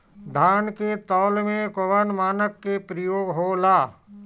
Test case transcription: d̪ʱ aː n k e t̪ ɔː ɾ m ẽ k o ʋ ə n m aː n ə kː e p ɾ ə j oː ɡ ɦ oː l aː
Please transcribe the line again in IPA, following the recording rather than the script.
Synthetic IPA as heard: d̪ʱ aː n k e t̪ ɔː l m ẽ k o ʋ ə n m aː n ə kː e p ɾ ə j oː ɡ ɦ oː l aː

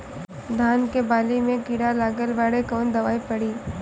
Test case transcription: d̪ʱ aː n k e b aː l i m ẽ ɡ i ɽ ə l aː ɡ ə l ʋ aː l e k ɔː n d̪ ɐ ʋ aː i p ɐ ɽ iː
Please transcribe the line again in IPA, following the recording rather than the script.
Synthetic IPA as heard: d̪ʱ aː n k e b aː l i m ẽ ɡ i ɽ a l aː ɡ ə l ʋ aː ɽ e k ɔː n d̪ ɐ ʋ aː i p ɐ ɽ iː

